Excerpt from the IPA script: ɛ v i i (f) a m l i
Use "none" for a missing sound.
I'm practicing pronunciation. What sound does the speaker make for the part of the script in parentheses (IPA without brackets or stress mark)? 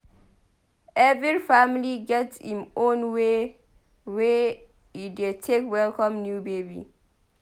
f